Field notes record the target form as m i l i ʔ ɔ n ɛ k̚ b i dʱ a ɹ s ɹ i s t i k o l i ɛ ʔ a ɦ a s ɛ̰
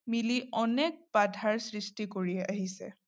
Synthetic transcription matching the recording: m i l i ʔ ɔ n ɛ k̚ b a dʱ a ɹ s ɹ i s t i k o ɹ i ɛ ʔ a ɦ i s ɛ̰

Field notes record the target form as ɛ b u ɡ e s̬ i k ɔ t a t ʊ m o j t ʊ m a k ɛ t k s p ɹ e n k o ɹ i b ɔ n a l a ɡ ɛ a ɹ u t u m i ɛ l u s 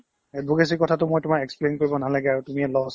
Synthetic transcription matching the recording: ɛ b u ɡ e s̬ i k ɔ tʰ a t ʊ m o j t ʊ m a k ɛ k s p l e n k o ɹ i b ɔ n a l a ɡ ɛ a ɹ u t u m i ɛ l ɔ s

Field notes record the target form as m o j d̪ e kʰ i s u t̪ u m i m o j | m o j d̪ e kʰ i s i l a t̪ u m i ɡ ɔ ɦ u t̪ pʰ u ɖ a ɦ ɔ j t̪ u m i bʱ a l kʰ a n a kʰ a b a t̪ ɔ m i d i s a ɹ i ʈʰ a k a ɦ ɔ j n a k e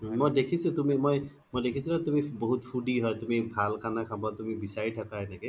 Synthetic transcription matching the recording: m o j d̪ e kʰ i s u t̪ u m i m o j | m o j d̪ e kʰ i s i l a t̪ u m i b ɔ ɦ u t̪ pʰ u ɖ i ɦ ɔ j t̪ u m i bʱ a l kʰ a n a kʰ a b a t̪ u m i b i s a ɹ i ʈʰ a k a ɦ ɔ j n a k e

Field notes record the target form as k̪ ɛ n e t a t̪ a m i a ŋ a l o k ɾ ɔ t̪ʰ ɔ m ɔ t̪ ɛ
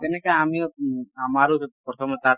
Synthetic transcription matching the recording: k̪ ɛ n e k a a m i a m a ɾ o p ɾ ɔ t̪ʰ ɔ m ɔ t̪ a

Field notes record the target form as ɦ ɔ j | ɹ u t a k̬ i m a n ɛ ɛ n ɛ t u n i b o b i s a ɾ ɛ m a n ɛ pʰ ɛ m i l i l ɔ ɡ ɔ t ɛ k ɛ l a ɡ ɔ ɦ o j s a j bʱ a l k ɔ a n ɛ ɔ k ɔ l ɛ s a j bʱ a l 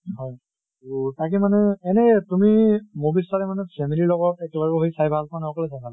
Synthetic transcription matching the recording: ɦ ɔ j | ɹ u t a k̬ i m a n ɛ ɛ n ɛ t u m i m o b i s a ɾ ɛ m a n ɛ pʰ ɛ m i l i l ɔ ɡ ɔ t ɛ k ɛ l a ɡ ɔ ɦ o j s a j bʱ a l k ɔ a n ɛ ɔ k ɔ l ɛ s a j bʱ a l

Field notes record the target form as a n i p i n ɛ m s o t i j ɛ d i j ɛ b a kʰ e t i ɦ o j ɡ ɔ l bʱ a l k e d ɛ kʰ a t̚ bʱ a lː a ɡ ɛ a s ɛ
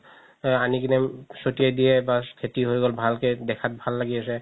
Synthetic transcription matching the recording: a n i k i n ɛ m s o t i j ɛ d i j ɛ b a kʰ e t i ɦ o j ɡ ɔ l bʱ a l k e d ɛ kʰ a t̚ bʱ a lː a ɡ i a s ɛ

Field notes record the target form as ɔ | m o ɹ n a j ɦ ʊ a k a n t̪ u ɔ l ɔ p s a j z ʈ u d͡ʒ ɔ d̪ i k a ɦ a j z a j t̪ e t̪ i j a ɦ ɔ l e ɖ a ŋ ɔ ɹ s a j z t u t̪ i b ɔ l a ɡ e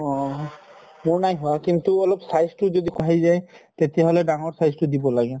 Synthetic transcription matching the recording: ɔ | m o ɹ n a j ɦ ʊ a k i n t̪ u ɔ l ɔ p s a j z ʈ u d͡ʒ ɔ d̪ i k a ɦ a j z a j t̪ e t̪ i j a ɦ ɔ l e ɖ a ŋ ɔ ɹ s a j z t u d̪ i b ɔ l a ɡ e

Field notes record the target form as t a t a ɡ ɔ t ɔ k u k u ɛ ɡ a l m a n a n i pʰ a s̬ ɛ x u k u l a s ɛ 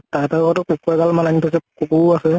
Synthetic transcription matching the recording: t a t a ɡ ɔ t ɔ k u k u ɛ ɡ a l m a n a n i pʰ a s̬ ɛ k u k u a s ɛ

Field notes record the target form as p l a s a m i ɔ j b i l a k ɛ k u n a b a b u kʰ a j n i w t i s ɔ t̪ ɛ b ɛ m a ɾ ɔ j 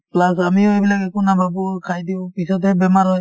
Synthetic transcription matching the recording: p l a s a m i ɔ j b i l a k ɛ k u n a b a b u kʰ a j d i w p i s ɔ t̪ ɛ b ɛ m a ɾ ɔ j

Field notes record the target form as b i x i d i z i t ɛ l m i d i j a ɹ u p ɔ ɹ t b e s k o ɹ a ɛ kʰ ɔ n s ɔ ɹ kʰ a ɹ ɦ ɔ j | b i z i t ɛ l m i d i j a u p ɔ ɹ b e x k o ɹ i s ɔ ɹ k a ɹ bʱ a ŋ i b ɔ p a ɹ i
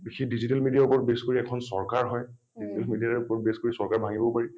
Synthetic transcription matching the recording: b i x i d i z i t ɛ l m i d i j a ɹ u p ɔ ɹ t b e s k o ɹ i ɛ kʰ ɔ n s ɔ ɹ k a ɹ ɦ ɔ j | d i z i t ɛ l m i d i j a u p ɔ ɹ b e s k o ɹ i s ɔ ɹ k a ɹ bʱ a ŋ i b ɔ p a ɹ i

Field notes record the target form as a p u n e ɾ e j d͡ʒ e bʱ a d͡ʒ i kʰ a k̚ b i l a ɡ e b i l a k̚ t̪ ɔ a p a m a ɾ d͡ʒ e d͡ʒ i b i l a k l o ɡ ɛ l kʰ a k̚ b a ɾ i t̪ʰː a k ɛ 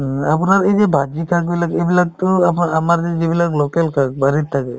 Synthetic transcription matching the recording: a p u n a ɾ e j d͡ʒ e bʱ a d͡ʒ i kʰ a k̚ b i l a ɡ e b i l a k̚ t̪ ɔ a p a m a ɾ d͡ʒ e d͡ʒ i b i l a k l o k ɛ l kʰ a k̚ b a ɾ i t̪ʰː a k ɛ

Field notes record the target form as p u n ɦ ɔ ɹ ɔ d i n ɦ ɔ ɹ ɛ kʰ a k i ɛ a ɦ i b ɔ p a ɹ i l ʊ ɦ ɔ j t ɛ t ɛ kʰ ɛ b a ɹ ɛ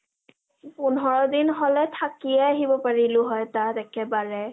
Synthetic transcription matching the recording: p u n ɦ ɔ ɹ ɔ d i n ɦ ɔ l ɛ tʰ a k i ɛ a ɦ i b ɔ p a ɹ i l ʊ ɦ ɔ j t a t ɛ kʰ ɛ b a ɹ ɛ

